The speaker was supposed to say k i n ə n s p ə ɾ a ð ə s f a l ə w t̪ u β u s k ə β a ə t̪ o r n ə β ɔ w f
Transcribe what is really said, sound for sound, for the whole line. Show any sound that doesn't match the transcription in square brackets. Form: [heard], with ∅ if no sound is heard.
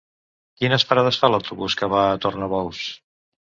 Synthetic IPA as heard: k i n ə [∅] s p ə ɾ a ð ə s f a l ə w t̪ u β u s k ə β a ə t̪ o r n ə β ɔ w [s]

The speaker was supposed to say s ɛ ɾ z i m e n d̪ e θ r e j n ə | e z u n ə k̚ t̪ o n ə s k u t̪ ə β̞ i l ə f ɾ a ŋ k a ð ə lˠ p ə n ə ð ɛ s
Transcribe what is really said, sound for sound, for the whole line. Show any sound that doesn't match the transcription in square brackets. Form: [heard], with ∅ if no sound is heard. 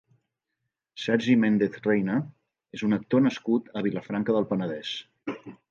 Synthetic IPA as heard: s ɛ ɾ [ʒ] i m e n d̪ e θ r e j n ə | e z u n ə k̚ t̪ o n ə s k u t̪ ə β̞ i l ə f ɾ a ŋ k [ə] ð ə lˠ p ə n ə ð ɛ s

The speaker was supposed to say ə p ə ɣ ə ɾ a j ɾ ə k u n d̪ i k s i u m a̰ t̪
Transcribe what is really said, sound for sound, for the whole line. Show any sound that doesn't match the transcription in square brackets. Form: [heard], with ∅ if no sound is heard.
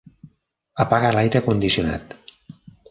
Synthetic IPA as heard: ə p [a] ɣ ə [l] a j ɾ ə k u n d̪ i [∅] s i u [n] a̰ t̪

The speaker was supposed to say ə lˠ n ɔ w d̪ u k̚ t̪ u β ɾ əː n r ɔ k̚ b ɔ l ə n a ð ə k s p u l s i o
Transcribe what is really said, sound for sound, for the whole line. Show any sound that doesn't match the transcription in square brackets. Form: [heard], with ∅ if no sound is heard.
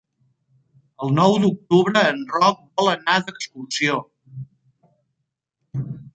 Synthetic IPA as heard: ə lˠ n ɔ w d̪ u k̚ t̪ u β ɾ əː n r ɔ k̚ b ɔ l ə n a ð ə k s [k] u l s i o

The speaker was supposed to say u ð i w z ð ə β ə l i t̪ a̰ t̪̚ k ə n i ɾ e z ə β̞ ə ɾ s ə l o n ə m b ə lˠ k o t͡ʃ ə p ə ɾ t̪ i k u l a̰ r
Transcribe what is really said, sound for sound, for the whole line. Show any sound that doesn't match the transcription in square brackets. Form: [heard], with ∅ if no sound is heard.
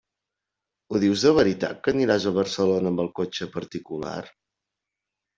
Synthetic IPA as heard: u ð i w z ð ə β ə [ɾ] i t̪ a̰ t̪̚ k ə n i ɾ [a] z ə β̞ ə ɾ s ə l o n ə m b ə lˠ k o t͡ʃ ə p ə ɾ t̪ i k u l a̰ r

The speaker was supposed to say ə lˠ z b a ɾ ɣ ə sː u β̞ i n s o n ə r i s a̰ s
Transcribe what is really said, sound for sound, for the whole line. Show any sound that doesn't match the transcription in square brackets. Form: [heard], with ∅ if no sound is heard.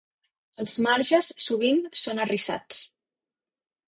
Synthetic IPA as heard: ə lˠ z [m] a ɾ [ʒ] ə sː u β̞ i n s o n ə r i s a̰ [t͡s]

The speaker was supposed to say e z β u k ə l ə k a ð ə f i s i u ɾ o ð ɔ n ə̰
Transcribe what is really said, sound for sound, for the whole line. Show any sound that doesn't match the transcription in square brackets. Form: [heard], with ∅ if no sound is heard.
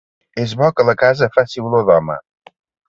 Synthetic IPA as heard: e z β [ɔ] k ə l ə k a [z] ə f [a] s i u [l] o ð ɔ [m] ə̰

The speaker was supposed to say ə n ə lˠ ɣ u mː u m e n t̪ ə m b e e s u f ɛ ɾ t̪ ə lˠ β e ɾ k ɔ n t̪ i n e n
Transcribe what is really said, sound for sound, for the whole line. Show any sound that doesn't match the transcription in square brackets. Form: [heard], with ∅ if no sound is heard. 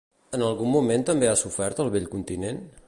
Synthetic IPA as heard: ə n ə lˠ ɣ u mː u m e n t̪ ə m b e [a] s u f ɛ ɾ t̪ ə lˠ β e [ʎ] k [u] n t̪ i n e n

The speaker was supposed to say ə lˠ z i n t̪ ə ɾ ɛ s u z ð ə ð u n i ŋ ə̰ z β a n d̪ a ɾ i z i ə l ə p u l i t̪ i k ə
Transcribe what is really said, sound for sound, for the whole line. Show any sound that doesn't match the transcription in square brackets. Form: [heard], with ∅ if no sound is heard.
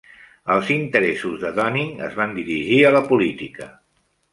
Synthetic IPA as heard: ə lˠ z i n t̪ ə ɾ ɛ s u z ð ə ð [ɔ] n i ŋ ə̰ z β a n d̪ [i] ɾ i [ʒ] i ə l ə p u l i t̪ i k ə

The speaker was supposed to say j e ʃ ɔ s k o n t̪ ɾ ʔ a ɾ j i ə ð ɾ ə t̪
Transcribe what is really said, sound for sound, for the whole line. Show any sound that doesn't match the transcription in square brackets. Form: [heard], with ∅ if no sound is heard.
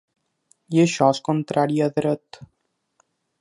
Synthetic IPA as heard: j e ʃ ɔ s k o n t̪ ɾ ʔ a ɾ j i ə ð ɾ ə t̪

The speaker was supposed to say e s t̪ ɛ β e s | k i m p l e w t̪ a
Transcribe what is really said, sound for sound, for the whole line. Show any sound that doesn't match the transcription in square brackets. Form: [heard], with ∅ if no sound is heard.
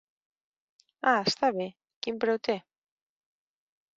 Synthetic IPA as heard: [a] s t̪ [a] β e [∅] | k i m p [ɾ] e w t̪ [e]

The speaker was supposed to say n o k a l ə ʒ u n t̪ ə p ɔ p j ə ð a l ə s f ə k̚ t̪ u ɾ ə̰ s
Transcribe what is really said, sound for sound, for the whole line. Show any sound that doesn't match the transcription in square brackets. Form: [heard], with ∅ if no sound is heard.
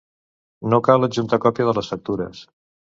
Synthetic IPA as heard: n o k a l ə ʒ u n t̪ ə [k] ɔ p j ə ð [ə] l ə s f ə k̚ t̪ u ɾ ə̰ s

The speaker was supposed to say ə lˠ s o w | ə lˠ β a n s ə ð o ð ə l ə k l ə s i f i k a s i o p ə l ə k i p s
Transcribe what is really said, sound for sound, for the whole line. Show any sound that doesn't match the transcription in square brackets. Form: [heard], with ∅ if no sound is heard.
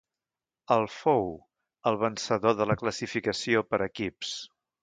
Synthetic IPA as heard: ə lˠ [f] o w | ə lˠ β [ə] n s ə ð o ð ə l ə k l ə s i f i k [ə] s i o p ə [ɾ] ə k i p s

